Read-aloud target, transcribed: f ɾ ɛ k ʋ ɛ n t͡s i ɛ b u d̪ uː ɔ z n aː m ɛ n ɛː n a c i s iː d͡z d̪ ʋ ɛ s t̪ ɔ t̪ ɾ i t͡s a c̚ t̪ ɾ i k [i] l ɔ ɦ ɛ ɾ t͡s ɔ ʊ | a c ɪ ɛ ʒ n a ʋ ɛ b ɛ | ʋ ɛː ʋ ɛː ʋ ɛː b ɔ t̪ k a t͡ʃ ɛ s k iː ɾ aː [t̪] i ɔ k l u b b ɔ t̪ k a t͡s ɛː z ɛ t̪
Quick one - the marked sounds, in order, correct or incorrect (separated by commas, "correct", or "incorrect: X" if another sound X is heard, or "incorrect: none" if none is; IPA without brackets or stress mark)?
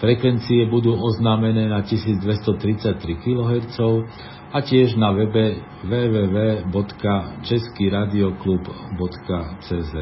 correct, incorrect: d̪